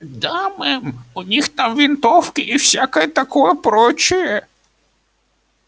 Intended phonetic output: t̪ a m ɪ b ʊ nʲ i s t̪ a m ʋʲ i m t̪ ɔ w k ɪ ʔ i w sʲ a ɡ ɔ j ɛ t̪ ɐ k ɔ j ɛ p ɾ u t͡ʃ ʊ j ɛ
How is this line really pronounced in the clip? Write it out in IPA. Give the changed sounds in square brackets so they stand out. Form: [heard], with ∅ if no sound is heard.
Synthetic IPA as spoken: [d̪] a m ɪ [m] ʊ nʲ i [x] t̪ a m ʋʲ i [n] t̪ ɔ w k ɪ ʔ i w sʲ a [k] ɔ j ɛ t̪ ɐ k ɔ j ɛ p ɾ [ɔ] t͡ʃ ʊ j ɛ